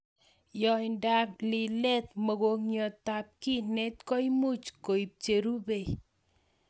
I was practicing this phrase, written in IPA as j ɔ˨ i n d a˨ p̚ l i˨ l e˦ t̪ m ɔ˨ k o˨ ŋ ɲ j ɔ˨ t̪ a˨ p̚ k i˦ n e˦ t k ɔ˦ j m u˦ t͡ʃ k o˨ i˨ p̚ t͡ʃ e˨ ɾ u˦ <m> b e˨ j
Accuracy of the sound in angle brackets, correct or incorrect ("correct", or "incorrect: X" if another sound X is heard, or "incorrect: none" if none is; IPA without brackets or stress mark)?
incorrect: none